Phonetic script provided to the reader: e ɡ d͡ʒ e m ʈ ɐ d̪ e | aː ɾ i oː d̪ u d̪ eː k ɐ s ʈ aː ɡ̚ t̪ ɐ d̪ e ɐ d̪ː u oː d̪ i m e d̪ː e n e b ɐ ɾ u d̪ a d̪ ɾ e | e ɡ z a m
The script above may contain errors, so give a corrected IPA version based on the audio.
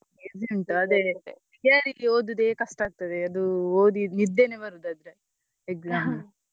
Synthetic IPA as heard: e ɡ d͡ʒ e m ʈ ɐ d̪ e | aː ɾ i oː d̪ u d̪ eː k ɐ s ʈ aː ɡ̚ t̪ ɐ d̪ e ɐ d̪ u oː d̪ i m i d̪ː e n e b ɐ ɾ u d̪ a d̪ ɾ e | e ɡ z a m